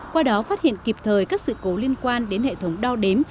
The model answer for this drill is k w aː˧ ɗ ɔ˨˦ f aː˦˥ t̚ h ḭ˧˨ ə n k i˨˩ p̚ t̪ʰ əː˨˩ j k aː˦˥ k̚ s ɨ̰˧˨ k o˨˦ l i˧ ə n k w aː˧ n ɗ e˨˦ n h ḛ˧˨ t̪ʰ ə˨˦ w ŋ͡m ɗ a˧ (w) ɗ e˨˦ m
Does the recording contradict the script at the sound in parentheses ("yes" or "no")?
no